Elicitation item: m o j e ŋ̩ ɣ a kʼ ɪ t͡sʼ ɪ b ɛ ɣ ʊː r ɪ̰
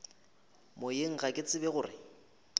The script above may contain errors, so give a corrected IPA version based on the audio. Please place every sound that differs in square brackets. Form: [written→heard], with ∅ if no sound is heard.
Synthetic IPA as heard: m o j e ŋ̩ ɣ a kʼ ɪ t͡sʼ ɪ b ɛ ɣ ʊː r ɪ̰